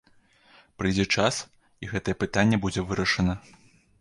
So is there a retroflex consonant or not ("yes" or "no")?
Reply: yes